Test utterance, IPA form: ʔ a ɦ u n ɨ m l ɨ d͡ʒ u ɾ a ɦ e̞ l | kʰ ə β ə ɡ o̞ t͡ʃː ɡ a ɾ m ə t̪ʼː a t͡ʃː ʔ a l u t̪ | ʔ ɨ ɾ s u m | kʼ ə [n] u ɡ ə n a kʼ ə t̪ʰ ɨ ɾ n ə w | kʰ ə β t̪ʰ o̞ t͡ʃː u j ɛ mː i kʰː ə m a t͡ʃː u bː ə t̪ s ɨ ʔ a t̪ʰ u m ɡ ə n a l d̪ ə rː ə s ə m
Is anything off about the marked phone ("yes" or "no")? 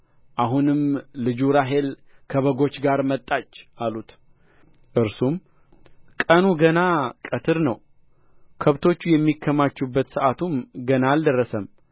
no